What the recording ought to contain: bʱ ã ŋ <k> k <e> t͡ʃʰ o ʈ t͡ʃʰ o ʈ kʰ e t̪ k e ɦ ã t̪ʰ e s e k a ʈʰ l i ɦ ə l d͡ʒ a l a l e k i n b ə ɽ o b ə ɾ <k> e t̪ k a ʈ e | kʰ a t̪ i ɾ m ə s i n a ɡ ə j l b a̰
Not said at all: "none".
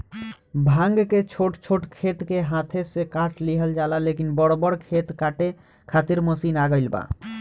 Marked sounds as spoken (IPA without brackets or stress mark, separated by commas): ɡ, e, kʰ